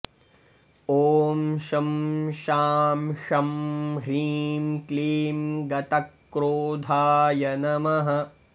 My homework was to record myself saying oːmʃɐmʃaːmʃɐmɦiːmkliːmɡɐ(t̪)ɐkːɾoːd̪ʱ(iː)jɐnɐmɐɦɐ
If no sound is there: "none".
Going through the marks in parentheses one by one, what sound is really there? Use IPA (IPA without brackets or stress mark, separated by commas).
t̪, aː